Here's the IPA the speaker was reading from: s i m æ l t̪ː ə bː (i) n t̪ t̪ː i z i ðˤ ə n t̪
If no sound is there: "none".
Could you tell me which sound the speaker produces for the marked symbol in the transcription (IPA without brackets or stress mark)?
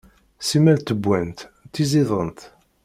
æ